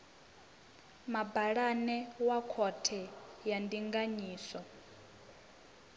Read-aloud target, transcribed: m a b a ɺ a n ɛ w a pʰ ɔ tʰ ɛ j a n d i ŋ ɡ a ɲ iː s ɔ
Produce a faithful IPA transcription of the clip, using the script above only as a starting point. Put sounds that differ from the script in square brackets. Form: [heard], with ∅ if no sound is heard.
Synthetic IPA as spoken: m a b a ɺ a n ɛ w a [kʰ] ɔ tʰ ɛ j a n d i ŋ ɡ a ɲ iː s ɔ